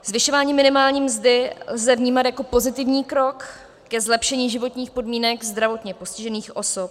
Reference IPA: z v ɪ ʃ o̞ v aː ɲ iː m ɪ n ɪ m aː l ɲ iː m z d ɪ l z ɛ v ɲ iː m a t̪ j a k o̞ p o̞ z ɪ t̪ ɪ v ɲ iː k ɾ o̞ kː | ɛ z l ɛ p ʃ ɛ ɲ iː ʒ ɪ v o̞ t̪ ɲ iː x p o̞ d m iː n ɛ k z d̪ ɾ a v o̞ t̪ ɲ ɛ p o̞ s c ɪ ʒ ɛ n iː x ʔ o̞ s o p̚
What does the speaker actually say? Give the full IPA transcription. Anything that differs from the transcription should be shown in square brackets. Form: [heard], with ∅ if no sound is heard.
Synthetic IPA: z v ɪ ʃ o̞ v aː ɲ iː m ɪ n ɪ m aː l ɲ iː m z d ɪ l z ɛ v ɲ iː m a t̪ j a k o̞ p o̞ z ɪ t̪ ɪ v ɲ iː k ɾ o̞ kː | ɛ z l ɛ p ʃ ɛ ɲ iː ʒ ɪ v o̞ t̪ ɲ iː x p o̞ d m iː n ɛ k z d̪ ɾ a v o̞ t̪ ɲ ɛ p o̞ s c ɪ ʒ ɛ n iː x ʔ o̞ s o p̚

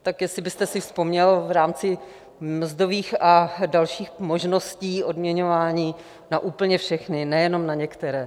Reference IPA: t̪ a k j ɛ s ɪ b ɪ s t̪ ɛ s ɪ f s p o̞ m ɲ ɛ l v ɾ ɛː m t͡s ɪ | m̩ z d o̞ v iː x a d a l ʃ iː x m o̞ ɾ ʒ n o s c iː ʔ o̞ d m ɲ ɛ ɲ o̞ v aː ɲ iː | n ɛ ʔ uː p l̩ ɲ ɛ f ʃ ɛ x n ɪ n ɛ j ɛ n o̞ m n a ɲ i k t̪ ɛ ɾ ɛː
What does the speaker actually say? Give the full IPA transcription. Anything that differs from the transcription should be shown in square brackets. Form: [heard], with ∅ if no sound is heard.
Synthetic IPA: t̪ a k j ɛ s ɪ b ɪ s t̪ ɛ s ɪ f s p o̞ m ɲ ɛ l v ɾ [aː] m t͡s ɪ | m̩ z d o̞ v iː x a d a l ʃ iː x m o̞ [∅] ʒ n o s c iː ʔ o̞ d m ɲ ɛ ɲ o̞ v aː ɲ iː | n [a] ʔ uː p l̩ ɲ ɛ f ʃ ɛ x n ɪ n ɛ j ɛ n o̞ m n a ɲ [ɛ] k t̪ ɛ ɾ ɛː

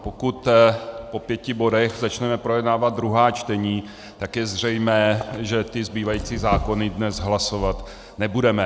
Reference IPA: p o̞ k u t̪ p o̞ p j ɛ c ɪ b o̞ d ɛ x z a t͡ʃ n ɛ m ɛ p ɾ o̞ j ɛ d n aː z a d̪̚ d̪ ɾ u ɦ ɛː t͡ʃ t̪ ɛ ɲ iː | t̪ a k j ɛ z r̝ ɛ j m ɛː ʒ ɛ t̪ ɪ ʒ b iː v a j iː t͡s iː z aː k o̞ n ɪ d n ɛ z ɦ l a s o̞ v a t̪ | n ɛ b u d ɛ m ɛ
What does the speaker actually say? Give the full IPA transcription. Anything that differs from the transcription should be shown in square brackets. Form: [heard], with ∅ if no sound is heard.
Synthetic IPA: p o̞ k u t̪ p o̞ p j ɛ c ɪ b o̞ d ɛ x z a t͡ʃ n ɛ m ɛ p ɾ o̞ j ɛ d n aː [v] a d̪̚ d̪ ɾ u ɦ [aː] t͡ʃ t̪ ɛ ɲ iː | t̪ a k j ɛ z r̝ ɛ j m ɛː ʒ ɛ t̪ ɪ [z] b iː v a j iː t͡s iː z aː k o̞ n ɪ d n ɛ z ɦ l a s o̞ v a t̪ | n ɛ b u d ɛ m ɛ

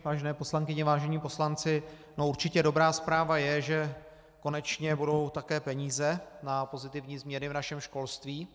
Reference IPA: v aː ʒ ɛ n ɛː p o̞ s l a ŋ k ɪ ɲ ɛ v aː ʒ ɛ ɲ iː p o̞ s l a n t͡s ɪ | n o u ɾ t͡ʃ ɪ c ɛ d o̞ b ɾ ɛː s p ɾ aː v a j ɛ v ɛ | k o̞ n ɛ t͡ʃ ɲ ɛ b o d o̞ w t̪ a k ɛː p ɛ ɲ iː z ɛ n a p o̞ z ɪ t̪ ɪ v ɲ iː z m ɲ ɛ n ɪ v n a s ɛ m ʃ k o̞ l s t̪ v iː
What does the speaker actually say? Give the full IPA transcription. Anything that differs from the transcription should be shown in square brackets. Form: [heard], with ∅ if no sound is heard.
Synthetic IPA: v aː ʒ ɛ n ɛː p o̞ s l a ŋ k ɪ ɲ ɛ v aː ʒ ɛ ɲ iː p o̞ s l a n t͡s ɪ | n o u ɾ t͡ʃ ɪ c ɛ d o̞ b ɾ [aː] s p ɾ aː v a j ɛ [ʒ] ɛ | k o̞ n ɛ t͡ʃ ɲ ɛ b [u] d o̞ w t̪ a k ɛː p ɛ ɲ iː z ɛ n a p o̞ z ɪ t̪ ɪ v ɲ iː z m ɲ ɛ n ɪ v n a [ʃ] ɛ m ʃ k o̞ l s t̪ v iː

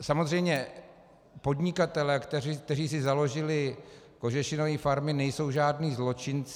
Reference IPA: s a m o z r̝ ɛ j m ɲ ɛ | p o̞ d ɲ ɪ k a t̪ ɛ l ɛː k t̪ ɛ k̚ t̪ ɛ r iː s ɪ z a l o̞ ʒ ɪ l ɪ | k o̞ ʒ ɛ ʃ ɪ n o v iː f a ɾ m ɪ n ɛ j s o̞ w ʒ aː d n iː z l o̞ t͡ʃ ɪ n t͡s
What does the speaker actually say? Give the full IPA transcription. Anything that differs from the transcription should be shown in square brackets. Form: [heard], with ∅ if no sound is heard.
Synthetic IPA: s a m o z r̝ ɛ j m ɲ ɛ | p o̞ d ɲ ɪ k a t̪ ɛ l ɛː k t̪ ɛ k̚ t̪ ɛ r iː s ɪ z a l o̞ ʒ ɪ l ɪ | k o̞ ʒ ɛ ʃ ɪ n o v iː f a ɾ m ɪ n ɛ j s o̞ w ʒ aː d n iː z l o̞ t͡ʃ ɪ n t͡s

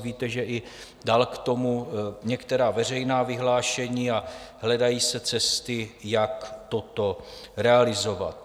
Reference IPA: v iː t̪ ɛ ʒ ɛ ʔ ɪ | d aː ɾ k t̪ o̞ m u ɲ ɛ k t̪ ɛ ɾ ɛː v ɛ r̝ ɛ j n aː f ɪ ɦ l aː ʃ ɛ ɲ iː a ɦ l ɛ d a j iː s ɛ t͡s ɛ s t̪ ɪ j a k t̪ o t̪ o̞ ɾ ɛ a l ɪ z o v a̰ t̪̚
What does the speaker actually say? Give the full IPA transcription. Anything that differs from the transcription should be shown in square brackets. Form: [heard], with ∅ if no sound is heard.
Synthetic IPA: v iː t̪ ɛ ʒ ɛ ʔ ɪ | d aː [l] k t̪ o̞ m u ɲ ɛ k t̪ ɛ ɾ [aː] v ɛ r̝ ɛ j n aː [v] ɪ ɦ l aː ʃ ɛ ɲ iː a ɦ l ɛ d a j iː s ɛ t͡s ɛ s t̪ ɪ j a k t̪ o t̪ o̞ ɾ ɛ a l ɪ z o v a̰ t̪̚

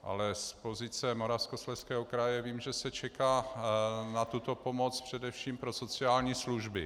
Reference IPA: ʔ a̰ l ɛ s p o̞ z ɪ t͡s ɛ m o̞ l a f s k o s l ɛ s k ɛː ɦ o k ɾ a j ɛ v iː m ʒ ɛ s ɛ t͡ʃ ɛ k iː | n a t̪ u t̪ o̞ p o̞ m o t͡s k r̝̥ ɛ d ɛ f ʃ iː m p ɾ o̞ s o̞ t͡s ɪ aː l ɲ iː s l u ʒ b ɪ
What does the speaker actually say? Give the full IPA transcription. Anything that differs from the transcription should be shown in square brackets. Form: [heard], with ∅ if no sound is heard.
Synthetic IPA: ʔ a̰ l ɛ s p o̞ z ɪ t͡s ɛ m o̞ [ɾ] a f s k o s l ɛ s k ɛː ɦ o k ɾ a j ɛ v iː m ʒ ɛ s ɛ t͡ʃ ɛ k [aː] | n a t̪ u t̪ o̞ p o̞ m o t͡s [p] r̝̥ ɛ d ɛ f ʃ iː m p ɾ o̞ s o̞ t͡s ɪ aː l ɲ iː s l u ʒ b ɪ

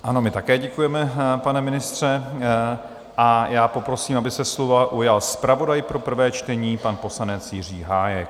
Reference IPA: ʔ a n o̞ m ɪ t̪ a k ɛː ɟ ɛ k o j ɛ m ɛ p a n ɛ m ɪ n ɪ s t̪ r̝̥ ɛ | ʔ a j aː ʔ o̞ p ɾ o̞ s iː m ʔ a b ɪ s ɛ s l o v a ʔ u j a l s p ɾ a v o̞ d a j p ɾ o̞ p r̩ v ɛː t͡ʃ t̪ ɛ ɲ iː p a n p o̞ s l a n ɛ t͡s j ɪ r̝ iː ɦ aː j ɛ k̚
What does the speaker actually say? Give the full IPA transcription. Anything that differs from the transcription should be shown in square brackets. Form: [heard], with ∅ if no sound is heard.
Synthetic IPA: ʔ a n o̞ m ɪ t̪ a k ɛː ɟ ɛ k [u] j ɛ m ɛ p a n ɛ m ɪ n ɪ s t̪ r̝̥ ɛ | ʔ a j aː [p] o̞ p ɾ o̞ s iː m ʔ a b ɪ s ɛ s l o v a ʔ u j a l s p ɾ a v o̞ d a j p ɾ o̞ p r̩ v ɛː t͡ʃ t̪ ɛ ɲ iː p a n p o̞ s l a n ɛ t͡s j ɪ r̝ iː ɦ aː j ɛ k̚

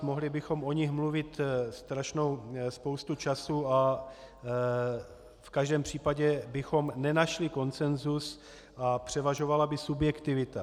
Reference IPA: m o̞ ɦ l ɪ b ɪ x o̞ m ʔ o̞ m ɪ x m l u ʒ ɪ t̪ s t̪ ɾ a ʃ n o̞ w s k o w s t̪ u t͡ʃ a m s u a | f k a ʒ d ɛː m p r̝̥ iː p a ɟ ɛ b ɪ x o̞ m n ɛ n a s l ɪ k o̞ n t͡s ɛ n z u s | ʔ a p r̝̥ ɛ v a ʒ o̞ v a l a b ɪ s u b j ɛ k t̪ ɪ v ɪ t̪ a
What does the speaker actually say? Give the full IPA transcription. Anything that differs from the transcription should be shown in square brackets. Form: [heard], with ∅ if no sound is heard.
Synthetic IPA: m o̞ ɦ l ɪ b ɪ x o̞ m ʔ o̞ [ɲ] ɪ x m l u [v] ɪ t̪ s t̪ ɾ a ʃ n o̞ w s [p] o w s t̪ u t͡ʃ a [∅] s u a | f k a ʒ d ɛː m p r̝̥ iː p a ɟ ɛ b ɪ x o̞ m n ɛ n a [ʃ] l ɪ k o̞ n t͡s ɛ n z u s | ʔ a p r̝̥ ɛ v a ʒ o̞ v a l a b ɪ s u b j ɛ k t̪ ɪ v ɪ t̪ a

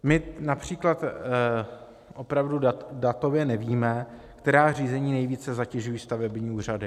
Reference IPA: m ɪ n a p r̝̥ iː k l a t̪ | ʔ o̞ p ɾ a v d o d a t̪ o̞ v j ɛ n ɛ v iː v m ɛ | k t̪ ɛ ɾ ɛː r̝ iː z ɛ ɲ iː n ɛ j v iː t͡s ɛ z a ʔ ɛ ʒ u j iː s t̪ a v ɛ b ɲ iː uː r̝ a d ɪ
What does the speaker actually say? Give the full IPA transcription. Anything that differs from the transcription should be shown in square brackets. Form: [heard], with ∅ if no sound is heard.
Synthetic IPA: m ɪ n a p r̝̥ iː k l a t̪ | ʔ o̞ p ɾ a v d [u] d a t̪ o̞ v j ɛ n ɛ v iː [∅] m ɛ | k t̪ ɛ ɾ [aː] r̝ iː z ɛ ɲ iː n ɛ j v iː t͡s ɛ z a [c] ɛ ʒ u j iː s t̪ a v ɛ b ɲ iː uː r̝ a d ɪ

